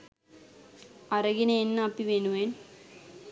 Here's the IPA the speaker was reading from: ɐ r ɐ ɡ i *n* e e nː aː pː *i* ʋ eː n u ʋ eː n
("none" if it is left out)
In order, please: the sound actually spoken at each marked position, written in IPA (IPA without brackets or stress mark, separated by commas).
n, i